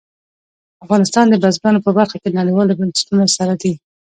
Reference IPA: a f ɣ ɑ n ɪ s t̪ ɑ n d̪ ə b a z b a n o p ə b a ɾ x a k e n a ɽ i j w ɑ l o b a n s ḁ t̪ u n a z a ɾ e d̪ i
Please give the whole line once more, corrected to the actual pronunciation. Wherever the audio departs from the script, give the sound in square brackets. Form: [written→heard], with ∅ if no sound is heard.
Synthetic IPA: a f ɣ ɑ n ɪ s t̪ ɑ n d̪ ə b a z b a n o p ə b a ɾ x a k e n a ɽ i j w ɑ l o b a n s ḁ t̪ u n a [z→s] a ɾ [e→a] d̪ i